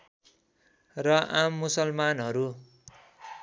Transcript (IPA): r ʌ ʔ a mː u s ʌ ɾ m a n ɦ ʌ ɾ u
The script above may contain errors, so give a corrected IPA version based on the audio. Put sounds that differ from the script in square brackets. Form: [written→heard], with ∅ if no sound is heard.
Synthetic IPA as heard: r ʌ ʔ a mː u s ʌ [ɾ→l] m a n ɦ ʌ ɾ u